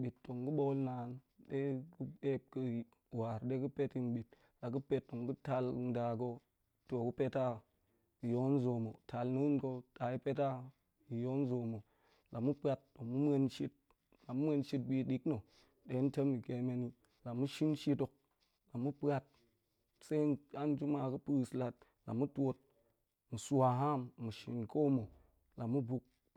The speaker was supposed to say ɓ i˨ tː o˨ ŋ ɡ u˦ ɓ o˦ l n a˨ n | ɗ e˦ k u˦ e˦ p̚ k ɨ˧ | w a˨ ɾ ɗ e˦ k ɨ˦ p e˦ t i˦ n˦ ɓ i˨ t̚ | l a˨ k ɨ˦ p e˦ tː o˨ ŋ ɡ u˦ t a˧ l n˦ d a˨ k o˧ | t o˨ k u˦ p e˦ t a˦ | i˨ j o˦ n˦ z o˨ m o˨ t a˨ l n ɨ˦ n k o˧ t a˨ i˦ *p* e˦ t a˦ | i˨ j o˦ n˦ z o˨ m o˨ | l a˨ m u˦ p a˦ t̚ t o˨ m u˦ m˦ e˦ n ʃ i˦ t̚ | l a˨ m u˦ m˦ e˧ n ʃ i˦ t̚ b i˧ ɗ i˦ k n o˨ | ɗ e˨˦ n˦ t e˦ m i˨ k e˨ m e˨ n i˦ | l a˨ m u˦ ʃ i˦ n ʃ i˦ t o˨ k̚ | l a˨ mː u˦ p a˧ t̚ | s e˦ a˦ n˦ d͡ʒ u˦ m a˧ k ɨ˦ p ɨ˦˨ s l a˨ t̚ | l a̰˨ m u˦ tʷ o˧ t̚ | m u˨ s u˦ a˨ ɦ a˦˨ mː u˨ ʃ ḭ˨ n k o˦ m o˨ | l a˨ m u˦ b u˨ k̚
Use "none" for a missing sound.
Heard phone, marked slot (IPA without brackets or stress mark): p